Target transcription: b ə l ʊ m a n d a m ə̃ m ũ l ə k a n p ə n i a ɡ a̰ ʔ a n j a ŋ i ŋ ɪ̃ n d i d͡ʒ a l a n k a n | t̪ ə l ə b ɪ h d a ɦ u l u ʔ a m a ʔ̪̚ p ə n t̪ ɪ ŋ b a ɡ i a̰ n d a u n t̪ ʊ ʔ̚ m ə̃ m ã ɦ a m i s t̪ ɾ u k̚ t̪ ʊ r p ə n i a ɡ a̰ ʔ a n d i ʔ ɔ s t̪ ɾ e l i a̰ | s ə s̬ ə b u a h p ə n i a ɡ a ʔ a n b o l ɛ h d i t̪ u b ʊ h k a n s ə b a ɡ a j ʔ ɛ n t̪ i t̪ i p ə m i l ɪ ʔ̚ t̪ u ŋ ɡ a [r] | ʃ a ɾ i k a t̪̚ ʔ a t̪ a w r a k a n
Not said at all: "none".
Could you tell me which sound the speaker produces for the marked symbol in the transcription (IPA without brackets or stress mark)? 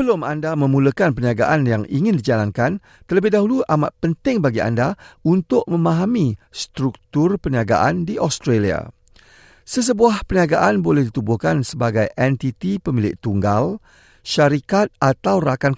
l